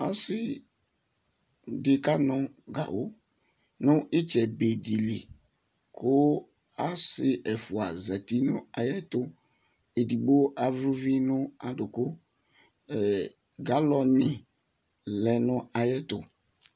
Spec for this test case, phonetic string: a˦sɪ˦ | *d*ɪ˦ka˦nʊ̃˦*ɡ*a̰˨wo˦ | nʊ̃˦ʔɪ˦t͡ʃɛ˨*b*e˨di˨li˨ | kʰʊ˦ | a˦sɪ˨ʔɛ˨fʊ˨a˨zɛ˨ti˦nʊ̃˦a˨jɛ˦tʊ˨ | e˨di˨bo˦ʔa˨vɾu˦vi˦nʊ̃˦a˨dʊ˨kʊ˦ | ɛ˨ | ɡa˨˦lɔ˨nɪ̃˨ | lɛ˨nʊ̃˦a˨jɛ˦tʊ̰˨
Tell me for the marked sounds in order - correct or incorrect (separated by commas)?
correct, correct, correct